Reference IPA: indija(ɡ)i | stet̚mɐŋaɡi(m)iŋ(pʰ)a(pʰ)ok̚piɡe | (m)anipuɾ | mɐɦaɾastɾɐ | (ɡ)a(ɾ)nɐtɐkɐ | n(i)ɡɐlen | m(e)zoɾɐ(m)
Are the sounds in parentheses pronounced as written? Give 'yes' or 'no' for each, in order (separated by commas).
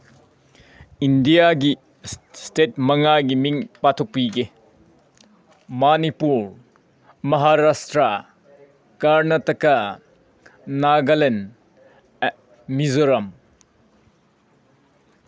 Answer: yes, yes, no, no, yes, no, yes, no, no, yes